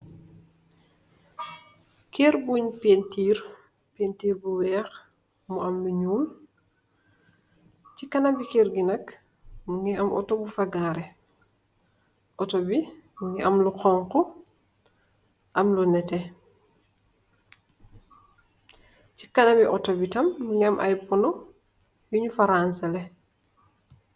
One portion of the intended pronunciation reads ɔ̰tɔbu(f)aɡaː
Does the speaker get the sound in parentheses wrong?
no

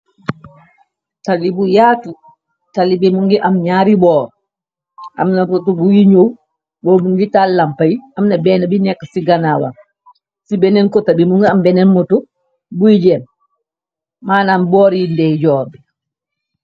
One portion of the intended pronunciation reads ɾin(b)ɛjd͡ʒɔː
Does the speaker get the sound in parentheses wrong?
yes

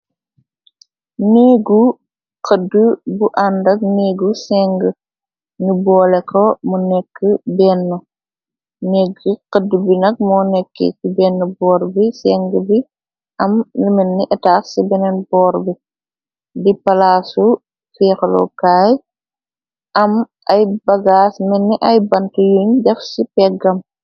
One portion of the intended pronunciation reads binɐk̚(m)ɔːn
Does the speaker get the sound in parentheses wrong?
no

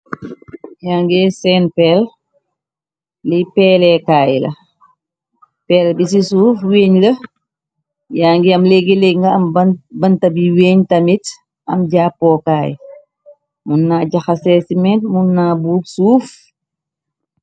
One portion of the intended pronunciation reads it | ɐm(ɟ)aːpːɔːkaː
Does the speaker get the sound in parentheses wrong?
no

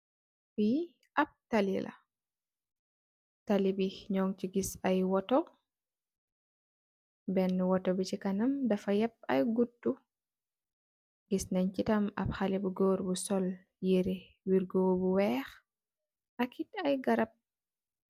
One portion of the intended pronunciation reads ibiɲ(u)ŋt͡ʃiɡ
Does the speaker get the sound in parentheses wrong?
yes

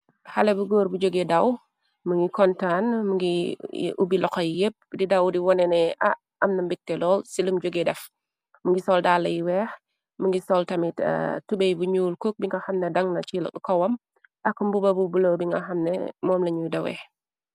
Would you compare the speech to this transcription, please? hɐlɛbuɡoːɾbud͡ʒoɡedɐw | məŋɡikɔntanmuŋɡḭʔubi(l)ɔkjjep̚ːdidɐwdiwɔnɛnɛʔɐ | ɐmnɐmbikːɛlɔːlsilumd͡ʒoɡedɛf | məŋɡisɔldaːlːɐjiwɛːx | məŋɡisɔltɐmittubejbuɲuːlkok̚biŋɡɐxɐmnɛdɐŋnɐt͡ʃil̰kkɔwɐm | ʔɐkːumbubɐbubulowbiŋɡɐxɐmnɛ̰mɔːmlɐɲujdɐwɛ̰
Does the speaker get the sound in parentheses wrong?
no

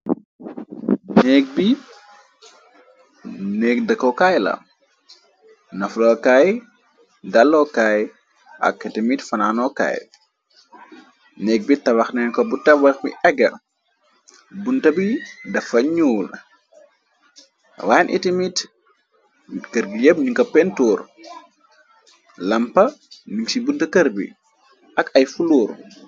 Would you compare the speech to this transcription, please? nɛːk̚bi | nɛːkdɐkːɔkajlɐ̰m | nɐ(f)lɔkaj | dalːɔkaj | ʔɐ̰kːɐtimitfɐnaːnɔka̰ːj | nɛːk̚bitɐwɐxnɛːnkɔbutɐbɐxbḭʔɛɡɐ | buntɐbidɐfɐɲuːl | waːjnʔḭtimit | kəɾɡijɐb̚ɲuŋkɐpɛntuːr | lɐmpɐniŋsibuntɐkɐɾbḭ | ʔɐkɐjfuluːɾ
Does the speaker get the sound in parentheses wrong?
no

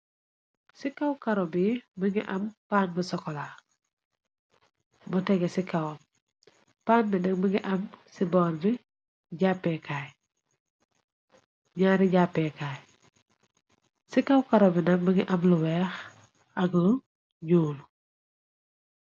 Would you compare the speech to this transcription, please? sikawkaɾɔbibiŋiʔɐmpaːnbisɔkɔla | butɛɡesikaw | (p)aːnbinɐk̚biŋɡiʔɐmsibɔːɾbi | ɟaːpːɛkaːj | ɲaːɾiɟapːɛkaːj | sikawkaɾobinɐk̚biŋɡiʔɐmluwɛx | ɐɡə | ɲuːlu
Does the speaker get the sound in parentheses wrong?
no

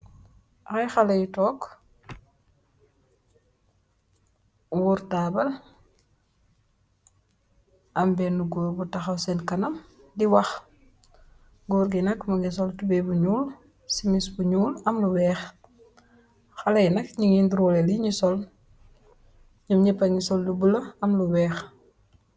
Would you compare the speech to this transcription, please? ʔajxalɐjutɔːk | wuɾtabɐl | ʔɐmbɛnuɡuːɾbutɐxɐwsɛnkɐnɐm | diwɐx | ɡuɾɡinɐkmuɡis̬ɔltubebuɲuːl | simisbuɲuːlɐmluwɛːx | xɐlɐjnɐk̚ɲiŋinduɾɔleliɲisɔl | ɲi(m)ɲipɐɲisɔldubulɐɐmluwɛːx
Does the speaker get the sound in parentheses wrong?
no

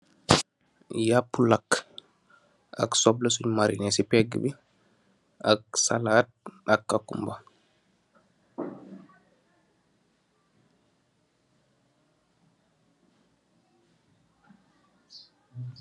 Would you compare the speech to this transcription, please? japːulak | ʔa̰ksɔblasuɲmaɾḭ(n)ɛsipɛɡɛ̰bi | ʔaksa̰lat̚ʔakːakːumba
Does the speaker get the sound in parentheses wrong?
no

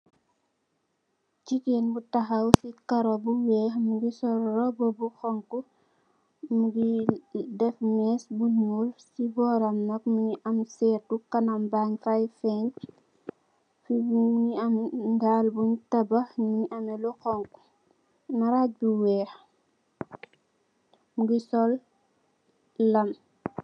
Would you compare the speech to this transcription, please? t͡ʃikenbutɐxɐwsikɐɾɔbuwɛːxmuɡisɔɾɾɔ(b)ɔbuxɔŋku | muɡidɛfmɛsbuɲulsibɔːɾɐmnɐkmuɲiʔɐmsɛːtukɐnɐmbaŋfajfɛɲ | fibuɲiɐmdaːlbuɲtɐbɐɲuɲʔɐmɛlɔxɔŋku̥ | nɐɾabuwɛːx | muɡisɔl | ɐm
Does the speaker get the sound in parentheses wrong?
no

